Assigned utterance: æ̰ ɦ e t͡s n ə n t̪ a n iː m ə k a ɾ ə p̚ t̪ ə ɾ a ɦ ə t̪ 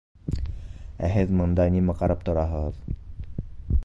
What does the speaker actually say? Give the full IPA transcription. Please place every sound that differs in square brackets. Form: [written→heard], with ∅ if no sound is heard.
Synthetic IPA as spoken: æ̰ ɦ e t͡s [n→m] ə n [t̪→d̪] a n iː m ə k a ɾ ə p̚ t̪ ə ɾ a ɦ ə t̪